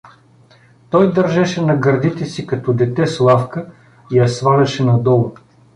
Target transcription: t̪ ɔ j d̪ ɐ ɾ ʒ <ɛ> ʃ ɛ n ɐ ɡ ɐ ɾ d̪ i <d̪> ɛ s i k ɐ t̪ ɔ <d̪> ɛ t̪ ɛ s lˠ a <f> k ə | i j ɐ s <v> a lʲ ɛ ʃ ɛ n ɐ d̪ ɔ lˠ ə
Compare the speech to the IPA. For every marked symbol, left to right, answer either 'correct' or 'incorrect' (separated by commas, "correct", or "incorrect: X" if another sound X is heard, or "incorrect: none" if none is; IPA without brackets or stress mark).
correct, incorrect: t̪, correct, correct, correct